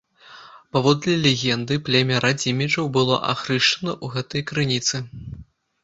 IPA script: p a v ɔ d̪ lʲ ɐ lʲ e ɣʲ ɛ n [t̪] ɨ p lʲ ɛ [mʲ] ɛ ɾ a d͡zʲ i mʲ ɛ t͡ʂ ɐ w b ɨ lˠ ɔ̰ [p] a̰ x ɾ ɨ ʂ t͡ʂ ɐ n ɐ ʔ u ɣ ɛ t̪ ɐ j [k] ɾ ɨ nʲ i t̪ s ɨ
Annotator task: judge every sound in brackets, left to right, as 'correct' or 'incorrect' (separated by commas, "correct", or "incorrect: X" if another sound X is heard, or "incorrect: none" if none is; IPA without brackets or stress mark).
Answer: incorrect: d̪, correct, incorrect: ʔ, correct